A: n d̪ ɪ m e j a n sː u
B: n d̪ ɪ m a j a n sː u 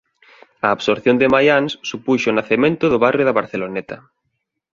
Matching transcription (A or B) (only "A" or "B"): B